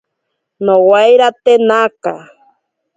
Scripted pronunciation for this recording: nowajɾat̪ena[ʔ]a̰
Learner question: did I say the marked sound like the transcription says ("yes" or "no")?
no